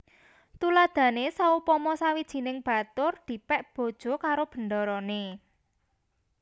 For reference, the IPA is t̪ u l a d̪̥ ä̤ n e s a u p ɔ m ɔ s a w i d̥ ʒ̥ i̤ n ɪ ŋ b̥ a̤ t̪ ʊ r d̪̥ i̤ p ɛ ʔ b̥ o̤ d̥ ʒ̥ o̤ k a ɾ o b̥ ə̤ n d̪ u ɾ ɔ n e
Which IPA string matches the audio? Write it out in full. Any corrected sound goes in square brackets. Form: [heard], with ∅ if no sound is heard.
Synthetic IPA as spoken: t̪ u l a d̪̥ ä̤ n e s a u p ɔ m ɔ s a w i d̥ ʒ̥ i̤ n ɪ ŋ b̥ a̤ t̪ ʊ r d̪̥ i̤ p ɛ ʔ b̥ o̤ d̥ ʒ̥ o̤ k a ɾ o b̥ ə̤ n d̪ [ɔ] ɾ ɔ n e